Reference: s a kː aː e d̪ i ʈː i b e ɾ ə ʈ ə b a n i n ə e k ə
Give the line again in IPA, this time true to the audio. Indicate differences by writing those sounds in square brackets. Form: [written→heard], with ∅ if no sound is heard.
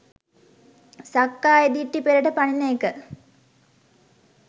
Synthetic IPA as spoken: s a kː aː e d̪ i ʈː i [b→p] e ɾ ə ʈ ə [b→p] a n i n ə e k ə